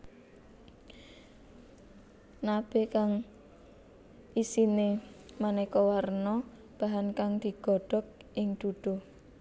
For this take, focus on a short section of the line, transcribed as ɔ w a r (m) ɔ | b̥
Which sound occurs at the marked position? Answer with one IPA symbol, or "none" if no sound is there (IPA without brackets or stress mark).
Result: n